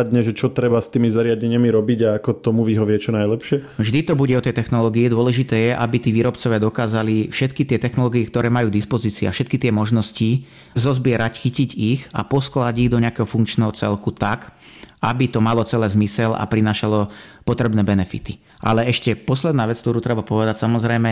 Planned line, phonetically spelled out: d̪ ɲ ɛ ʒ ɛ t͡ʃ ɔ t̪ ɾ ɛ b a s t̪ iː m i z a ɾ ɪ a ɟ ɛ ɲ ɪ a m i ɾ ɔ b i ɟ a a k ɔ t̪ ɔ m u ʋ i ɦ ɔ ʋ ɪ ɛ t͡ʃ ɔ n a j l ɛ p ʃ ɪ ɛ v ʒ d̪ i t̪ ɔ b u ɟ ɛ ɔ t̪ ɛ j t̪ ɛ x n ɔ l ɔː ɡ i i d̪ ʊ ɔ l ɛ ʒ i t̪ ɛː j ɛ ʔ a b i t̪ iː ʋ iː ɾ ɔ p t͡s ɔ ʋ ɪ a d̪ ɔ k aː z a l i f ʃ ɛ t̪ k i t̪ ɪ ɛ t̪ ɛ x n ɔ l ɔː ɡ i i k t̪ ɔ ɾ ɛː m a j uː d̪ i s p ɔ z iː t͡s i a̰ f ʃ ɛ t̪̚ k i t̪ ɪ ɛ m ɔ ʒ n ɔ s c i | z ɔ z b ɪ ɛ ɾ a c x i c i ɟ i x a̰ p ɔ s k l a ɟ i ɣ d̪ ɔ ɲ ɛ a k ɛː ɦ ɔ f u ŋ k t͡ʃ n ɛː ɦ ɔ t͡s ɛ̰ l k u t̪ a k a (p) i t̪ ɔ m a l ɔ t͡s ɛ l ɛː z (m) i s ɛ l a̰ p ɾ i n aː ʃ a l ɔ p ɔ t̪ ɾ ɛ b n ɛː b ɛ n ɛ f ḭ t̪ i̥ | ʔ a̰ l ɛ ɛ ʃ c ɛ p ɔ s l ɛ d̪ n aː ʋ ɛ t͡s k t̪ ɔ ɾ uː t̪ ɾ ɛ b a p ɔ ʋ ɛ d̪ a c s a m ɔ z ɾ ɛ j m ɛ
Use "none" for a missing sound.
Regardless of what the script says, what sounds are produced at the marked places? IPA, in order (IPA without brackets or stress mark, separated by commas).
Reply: b, m